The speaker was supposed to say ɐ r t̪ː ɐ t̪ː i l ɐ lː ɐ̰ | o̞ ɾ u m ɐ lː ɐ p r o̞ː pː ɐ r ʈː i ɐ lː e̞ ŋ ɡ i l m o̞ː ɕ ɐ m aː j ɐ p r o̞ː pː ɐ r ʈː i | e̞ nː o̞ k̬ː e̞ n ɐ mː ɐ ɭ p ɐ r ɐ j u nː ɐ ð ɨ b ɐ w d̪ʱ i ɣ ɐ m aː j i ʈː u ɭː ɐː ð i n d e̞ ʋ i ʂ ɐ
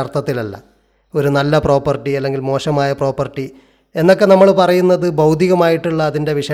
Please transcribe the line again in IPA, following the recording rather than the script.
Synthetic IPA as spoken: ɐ r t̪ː ɐ t̪ː i l ɐ lː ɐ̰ | o̞ ɾ u n ɐ lː ɐ p r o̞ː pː ɐ r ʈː i ɐ lː e̞ ŋ ɡ i l m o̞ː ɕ ɐ m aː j ɐ p r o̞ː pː ɐ r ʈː i | e̞ nː o̞ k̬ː e̞ n ɐ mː ɐ ɭ p ɐ r ɐ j u nː ɐ ð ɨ b ɐ w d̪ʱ i ɣ ɐ m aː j i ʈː u ɭː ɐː ð i n d e̞ ʋ i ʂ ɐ